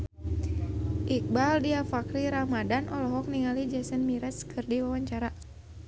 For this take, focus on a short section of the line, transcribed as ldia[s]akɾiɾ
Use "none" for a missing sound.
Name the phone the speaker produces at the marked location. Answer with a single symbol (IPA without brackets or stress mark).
f